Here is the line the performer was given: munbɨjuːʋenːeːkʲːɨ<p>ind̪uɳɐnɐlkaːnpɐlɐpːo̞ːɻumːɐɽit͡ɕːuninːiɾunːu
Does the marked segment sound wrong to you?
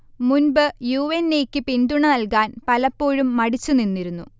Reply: no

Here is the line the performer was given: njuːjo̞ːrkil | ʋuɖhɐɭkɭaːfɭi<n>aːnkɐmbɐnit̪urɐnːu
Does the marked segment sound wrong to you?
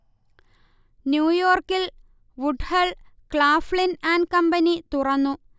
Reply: no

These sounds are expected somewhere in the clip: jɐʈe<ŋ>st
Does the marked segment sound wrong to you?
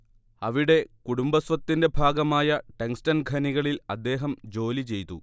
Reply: no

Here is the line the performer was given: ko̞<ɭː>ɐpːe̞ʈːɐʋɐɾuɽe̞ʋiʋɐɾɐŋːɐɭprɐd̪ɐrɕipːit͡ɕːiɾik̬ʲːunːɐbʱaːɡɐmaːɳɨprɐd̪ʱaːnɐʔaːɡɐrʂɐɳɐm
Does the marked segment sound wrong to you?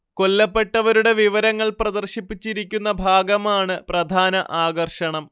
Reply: yes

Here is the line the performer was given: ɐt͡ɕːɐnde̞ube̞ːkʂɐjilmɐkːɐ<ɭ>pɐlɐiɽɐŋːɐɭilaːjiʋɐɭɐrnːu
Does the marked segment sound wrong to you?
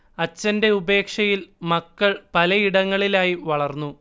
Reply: no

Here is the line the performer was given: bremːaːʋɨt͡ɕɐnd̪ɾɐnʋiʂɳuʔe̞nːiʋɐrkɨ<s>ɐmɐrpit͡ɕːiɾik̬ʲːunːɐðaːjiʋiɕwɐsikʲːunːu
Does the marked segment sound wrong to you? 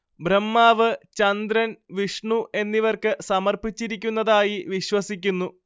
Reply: no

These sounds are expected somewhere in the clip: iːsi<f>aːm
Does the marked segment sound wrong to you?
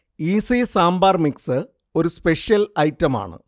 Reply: yes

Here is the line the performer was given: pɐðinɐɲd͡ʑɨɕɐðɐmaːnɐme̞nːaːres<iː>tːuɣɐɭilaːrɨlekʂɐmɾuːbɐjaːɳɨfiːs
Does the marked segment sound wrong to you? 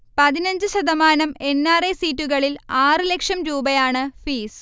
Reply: no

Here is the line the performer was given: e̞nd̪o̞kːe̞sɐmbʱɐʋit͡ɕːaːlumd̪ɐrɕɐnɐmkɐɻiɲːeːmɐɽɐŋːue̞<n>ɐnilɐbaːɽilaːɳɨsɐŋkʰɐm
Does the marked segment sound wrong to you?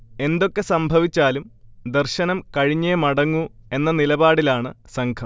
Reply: yes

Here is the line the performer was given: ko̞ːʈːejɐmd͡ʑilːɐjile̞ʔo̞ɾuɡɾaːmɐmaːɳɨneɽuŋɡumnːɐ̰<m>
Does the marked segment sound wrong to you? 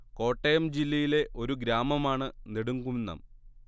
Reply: no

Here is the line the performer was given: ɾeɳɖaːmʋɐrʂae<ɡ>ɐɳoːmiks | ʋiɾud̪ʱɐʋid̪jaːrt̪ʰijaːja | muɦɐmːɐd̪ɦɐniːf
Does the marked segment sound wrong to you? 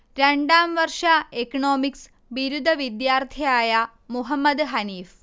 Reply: yes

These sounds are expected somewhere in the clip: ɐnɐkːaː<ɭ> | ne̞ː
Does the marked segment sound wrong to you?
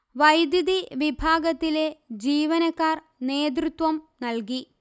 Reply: yes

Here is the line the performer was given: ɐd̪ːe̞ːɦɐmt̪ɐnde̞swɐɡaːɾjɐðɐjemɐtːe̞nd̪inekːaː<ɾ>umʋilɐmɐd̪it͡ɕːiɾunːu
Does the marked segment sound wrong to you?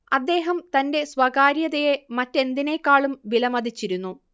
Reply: yes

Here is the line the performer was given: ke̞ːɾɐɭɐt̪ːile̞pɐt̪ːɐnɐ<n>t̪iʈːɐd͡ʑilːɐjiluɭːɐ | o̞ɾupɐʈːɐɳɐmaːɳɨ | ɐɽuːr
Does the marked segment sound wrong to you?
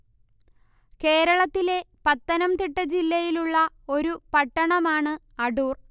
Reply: yes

